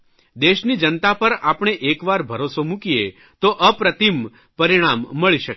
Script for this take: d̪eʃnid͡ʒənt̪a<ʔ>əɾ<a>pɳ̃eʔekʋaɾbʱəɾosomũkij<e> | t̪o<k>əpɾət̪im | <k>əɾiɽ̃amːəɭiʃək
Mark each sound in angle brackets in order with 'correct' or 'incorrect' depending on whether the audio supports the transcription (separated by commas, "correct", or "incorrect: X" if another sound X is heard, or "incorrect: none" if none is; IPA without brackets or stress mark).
incorrect: p, correct, correct, incorrect: ʔ, incorrect: p